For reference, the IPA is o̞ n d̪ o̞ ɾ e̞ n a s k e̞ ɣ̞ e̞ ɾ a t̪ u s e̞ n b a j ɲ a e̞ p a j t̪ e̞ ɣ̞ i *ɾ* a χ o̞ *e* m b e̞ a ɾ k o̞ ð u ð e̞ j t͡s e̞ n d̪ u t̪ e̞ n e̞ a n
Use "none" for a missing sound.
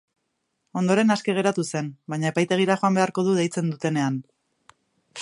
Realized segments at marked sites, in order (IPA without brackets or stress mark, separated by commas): ɾ, a